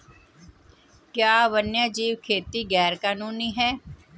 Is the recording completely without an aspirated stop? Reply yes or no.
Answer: no